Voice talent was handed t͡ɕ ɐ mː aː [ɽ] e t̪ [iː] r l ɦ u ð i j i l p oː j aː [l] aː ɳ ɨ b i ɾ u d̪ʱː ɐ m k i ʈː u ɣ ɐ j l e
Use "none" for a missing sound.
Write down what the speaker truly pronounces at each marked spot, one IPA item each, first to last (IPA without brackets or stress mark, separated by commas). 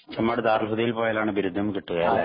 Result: ɽ, aː, l